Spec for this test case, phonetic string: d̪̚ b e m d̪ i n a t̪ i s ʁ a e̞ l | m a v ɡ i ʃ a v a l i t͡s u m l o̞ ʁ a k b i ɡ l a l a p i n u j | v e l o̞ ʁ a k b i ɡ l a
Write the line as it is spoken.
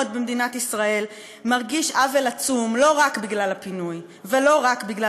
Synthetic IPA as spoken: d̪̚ b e m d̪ i n a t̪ i s ʁ a e̞ l | m a ʁ ɡ i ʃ a v e l a t͡s u m l o̞ ʁ a k b i ɡ l a l a p i n u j | v e l o̞ ʁ a k b i ɡ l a